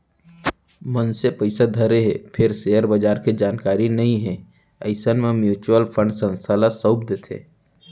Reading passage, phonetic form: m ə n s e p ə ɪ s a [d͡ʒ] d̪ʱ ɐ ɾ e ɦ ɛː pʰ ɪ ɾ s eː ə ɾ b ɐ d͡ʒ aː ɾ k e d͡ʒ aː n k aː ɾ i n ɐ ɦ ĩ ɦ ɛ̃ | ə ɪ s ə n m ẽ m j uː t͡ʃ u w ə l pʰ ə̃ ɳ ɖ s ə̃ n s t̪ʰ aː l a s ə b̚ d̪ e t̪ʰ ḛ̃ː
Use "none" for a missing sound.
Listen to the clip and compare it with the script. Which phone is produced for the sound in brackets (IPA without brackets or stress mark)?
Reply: none